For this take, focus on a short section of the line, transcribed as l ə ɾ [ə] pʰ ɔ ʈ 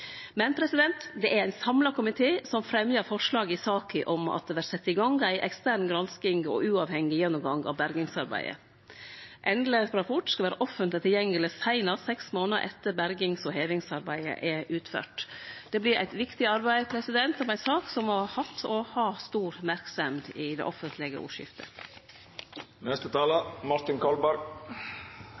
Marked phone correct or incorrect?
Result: incorrect: ɑ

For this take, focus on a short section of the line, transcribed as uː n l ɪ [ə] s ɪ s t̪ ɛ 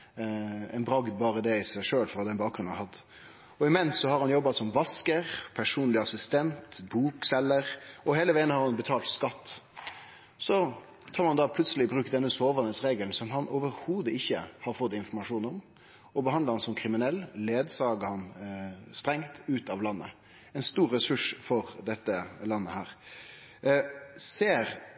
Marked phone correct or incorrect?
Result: incorrect: ɑ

